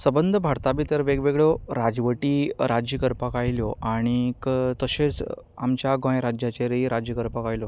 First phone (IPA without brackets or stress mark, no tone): s